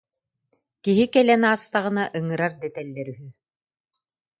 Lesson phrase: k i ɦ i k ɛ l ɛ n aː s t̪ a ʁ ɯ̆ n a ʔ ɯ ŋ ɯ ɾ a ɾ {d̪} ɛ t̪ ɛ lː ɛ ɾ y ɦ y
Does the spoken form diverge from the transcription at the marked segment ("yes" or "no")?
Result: no